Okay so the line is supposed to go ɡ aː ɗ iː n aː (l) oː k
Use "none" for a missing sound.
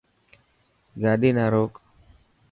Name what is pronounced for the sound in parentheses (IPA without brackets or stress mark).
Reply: ɾ